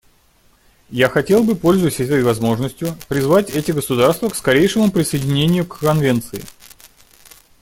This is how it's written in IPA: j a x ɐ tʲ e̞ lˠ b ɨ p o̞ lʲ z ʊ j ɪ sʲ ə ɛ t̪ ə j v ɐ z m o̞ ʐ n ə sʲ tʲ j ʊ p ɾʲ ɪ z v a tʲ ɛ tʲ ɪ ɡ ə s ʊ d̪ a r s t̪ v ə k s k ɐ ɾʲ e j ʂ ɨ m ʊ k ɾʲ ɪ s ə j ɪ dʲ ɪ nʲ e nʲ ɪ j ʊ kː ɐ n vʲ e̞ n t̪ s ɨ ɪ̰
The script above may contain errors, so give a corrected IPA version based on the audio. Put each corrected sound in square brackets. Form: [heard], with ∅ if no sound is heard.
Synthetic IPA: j a x ɐ tʲ e̞ lˠ b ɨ p o̞ lʲ z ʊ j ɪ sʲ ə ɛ t̪ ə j v ɐ z m o̞ ʐ n ə sʲ tʲ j ʊ p ɾʲ ɪ z v a tʲ ɛ tʲ ɪ ɡ ə s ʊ d̪ a r s t̪ v ə k s k ɐ ɾʲ e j ʂ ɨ m ʊ [p] ɾʲ ɪ s ə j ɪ dʲ ɪ nʲ e nʲ ɪ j ʊ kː ɐ n vʲ e̞ n t̪ s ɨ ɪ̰